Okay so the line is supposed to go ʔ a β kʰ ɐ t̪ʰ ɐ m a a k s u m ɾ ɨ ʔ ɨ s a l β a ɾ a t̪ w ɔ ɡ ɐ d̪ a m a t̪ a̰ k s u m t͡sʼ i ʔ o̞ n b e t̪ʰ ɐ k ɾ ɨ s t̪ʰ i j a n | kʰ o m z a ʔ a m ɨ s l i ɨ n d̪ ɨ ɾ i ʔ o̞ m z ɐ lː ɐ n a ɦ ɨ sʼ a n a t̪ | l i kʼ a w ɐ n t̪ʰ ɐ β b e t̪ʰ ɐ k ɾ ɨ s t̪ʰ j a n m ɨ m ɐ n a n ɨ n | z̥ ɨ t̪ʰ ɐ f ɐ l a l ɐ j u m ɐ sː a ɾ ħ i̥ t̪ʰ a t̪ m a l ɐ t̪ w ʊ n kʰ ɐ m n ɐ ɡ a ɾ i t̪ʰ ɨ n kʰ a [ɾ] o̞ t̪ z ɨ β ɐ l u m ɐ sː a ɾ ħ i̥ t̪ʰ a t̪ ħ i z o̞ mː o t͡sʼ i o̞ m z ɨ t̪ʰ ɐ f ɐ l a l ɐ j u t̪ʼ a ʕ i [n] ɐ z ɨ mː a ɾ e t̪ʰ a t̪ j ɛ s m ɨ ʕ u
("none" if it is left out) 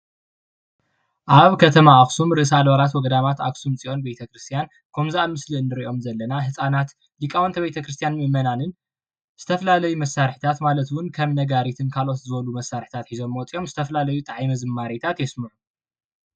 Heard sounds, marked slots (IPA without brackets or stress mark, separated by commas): l, m